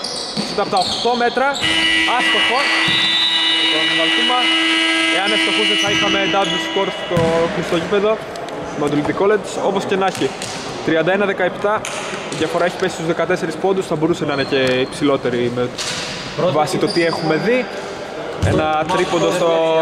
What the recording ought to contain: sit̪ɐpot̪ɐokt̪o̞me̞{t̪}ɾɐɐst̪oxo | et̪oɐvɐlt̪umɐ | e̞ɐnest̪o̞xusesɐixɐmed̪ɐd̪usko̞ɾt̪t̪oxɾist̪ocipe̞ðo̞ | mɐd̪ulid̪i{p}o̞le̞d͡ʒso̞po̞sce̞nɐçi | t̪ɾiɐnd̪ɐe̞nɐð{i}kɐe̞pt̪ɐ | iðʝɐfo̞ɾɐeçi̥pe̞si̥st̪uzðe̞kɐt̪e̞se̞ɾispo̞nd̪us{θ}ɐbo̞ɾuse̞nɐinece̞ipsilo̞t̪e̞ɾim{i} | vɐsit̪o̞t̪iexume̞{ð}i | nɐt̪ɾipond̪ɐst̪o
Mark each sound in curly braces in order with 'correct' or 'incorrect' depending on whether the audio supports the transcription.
correct, incorrect, incorrect, correct, incorrect, correct

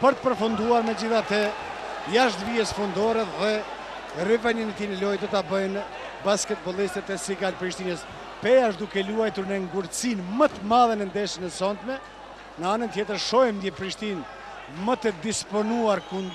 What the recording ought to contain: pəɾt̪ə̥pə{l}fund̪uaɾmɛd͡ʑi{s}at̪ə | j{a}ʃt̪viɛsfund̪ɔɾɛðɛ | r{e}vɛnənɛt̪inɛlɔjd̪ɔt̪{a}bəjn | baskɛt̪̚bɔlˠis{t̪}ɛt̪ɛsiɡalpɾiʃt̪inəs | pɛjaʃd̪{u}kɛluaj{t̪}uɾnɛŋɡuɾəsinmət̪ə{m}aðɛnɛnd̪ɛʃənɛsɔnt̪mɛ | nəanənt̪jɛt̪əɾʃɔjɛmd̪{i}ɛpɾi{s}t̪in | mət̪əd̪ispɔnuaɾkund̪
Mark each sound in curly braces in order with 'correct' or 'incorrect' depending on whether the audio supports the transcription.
incorrect, incorrect, correct, incorrect, correct, correct, correct, correct, correct, incorrect, incorrect

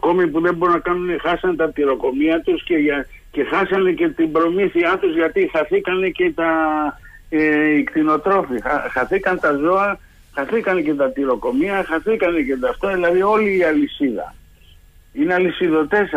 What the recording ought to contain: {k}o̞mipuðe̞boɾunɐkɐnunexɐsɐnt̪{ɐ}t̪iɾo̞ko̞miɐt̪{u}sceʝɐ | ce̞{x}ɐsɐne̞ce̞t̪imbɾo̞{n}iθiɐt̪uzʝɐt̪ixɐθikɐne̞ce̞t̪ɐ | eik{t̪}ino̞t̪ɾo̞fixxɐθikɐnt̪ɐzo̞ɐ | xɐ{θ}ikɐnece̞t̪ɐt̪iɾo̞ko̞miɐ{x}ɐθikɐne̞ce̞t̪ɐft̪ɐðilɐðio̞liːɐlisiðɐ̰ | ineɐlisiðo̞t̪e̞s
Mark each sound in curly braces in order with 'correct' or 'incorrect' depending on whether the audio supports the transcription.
correct, correct, correct, correct, incorrect, correct, correct, correct

